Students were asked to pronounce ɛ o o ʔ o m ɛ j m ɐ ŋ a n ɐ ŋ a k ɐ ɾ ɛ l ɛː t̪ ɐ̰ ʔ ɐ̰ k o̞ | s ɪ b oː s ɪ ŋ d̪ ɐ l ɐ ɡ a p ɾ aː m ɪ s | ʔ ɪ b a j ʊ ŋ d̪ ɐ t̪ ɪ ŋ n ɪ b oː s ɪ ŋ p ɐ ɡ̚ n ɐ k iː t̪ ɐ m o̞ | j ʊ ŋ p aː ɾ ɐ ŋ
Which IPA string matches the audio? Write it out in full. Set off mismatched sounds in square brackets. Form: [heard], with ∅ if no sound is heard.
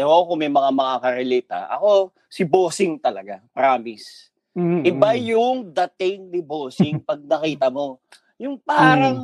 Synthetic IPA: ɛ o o [k] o m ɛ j m ɐ ŋ a [m] ɐ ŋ a k ɐ ɾ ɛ l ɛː t̪ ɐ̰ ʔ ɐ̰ k o̞ | s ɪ b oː s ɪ ŋ [t̪] ɐ l ɐ ɡ a p ɾ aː m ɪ s | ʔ ɪ b a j ʊ ŋ d̪ ɐ t̪ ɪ ŋ n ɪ b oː s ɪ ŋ p ɐ ɡ̚ n ɐ k iː t̪ ɐ m o̞ | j ʊ ŋ p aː ɾ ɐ ŋ